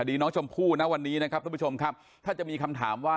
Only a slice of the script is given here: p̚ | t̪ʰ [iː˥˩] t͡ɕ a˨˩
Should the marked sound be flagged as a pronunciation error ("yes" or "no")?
yes